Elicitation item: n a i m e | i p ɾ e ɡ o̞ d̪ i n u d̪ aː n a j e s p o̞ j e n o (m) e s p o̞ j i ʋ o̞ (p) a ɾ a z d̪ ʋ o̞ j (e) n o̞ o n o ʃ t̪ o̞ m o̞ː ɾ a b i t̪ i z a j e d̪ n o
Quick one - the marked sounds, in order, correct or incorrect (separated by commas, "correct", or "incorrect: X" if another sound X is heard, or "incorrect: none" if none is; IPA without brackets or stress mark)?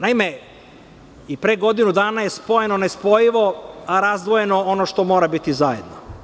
incorrect: n, incorrect: none, correct